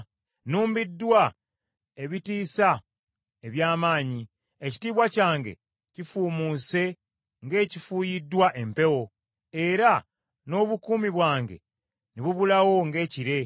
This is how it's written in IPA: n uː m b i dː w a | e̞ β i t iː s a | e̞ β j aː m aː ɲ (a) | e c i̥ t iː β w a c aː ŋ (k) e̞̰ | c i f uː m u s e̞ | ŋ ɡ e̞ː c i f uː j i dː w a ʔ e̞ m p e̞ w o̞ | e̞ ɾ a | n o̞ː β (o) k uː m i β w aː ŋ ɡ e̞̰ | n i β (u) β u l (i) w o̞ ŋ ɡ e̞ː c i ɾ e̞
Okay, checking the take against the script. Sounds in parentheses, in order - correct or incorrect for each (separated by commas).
incorrect, incorrect, incorrect, correct, incorrect